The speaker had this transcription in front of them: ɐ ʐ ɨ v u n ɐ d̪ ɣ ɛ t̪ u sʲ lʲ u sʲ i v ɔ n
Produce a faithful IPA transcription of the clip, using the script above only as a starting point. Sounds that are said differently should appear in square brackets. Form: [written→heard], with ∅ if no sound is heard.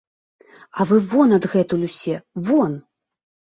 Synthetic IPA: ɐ [ʐ→v] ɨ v [u→ɔ] n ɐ d̪ ɣ ɛ t̪ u [sʲ→∅] lʲ u sʲ [i→ɛ] v ɔ n